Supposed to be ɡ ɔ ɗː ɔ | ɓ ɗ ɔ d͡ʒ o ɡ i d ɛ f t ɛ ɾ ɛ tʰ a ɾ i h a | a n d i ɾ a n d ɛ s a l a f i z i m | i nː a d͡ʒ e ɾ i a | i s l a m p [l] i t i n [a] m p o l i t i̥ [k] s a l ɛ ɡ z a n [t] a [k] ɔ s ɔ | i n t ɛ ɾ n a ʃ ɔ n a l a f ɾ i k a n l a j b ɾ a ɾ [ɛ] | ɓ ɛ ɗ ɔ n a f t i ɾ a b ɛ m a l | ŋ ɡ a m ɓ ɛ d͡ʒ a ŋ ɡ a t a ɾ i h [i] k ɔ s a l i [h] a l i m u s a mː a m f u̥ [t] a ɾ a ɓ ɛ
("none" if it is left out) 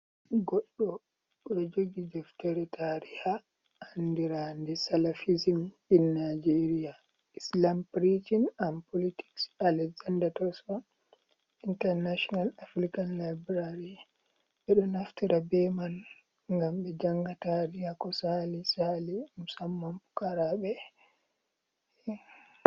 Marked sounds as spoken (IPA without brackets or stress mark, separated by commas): ɾ, a, k, d, t, i, a, s, k